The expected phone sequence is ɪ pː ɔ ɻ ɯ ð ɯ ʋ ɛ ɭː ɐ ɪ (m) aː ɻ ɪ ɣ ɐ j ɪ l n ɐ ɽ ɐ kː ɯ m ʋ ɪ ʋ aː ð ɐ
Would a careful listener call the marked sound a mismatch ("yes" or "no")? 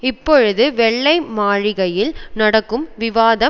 no